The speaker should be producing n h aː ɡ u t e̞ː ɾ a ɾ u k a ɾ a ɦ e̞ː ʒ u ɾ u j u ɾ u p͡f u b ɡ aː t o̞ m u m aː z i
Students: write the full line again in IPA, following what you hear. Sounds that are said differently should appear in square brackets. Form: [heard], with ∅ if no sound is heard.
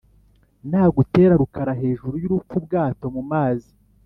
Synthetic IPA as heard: n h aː ɡ u t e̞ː ɾ a ɾ u k a ɾ a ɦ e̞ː ʒ u ɾ u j u ɾ u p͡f u b ɡ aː t o̞ m u m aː z i